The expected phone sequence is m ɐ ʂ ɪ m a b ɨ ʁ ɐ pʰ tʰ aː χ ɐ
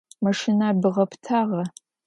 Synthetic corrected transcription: m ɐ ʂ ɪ n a b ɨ ʁ ɐ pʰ tʰ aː ʁ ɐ

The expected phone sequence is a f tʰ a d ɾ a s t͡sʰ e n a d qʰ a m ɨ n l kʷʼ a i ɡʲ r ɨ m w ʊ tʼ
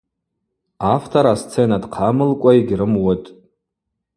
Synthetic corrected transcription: a f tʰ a ɾ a s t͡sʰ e n a d qʰ a m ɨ l kʷʼ a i ɡʲ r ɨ m w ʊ tʼ

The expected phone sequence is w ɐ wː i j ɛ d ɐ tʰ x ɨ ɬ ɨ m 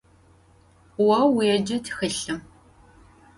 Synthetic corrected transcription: w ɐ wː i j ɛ d͡ʒ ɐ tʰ x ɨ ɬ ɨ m

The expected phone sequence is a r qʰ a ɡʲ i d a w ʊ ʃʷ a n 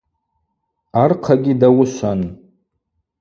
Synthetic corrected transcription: a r qʰ a ɡʲ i d a w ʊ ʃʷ a n

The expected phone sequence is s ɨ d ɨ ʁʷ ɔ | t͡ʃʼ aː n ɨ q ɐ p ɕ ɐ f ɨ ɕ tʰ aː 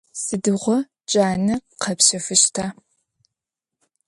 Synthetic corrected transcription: s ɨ d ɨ ʁʷ ɔ | t͡ʃʼ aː n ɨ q ɐ p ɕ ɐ f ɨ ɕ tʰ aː

